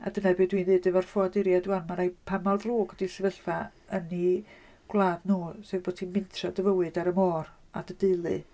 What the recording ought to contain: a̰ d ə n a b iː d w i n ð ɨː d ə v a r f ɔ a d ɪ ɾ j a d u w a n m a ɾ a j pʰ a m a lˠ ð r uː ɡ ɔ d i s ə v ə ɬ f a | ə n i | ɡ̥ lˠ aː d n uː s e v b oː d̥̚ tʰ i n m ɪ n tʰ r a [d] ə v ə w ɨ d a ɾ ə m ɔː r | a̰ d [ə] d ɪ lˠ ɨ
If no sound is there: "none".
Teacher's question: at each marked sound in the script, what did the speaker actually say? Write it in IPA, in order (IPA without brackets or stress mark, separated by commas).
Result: d, ə